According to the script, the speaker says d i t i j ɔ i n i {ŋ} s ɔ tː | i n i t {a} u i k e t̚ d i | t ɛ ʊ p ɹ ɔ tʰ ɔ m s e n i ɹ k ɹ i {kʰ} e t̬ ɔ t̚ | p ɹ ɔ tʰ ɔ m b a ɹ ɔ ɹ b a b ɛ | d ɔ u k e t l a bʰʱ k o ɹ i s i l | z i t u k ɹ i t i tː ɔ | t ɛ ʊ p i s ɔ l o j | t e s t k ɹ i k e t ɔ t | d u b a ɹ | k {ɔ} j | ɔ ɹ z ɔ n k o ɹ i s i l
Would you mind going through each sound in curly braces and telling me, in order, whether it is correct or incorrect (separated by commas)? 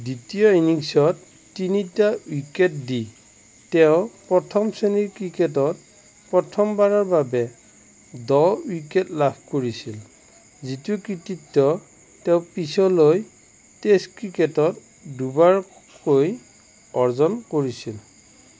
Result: correct, correct, incorrect, incorrect